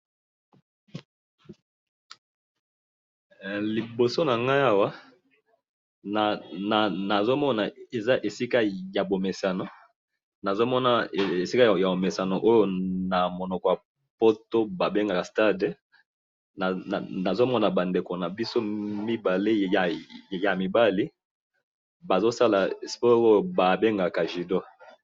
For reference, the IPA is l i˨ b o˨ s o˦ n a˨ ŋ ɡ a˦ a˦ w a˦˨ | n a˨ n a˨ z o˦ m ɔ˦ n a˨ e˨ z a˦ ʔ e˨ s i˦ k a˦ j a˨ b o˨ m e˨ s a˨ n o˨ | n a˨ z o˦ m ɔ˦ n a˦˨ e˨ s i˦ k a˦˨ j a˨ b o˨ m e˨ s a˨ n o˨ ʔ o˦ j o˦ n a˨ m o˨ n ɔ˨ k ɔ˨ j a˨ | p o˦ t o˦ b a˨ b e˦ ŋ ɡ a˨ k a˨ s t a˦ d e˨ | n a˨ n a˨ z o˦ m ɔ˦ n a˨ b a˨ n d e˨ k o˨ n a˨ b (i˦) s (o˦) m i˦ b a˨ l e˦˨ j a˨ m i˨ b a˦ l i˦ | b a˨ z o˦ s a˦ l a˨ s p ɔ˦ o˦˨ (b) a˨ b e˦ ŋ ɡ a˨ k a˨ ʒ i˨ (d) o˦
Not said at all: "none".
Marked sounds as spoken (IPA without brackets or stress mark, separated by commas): i˦, o˦, b, d